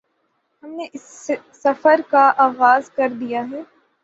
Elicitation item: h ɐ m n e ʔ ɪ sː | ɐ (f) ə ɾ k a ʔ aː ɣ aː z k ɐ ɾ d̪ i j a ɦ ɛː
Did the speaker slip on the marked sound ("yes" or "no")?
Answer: no